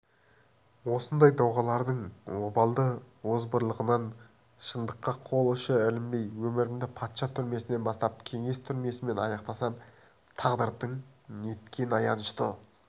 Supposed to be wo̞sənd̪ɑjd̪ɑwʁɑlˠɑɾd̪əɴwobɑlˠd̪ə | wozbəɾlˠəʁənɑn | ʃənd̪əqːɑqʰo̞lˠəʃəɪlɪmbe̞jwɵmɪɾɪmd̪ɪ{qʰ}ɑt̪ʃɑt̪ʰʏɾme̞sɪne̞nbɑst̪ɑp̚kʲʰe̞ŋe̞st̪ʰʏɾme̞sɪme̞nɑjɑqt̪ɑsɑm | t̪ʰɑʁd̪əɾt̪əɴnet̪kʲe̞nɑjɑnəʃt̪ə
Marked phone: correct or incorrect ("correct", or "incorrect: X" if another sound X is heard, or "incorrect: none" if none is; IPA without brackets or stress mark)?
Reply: incorrect: pʰ